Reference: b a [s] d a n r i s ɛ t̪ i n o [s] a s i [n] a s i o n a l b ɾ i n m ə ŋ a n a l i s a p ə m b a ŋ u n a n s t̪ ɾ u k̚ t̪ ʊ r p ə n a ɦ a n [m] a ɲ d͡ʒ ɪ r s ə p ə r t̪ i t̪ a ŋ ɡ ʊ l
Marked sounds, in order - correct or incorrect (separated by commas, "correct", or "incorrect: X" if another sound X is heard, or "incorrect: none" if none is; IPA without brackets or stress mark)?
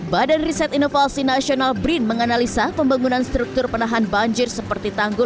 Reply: incorrect: none, incorrect: f, correct, incorrect: b